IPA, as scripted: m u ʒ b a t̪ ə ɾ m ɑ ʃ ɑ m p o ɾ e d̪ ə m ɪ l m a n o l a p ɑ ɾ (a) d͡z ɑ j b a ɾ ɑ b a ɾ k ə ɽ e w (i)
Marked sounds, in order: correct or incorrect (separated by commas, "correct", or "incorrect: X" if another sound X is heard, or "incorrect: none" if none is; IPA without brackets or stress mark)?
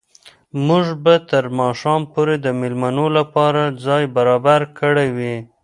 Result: correct, correct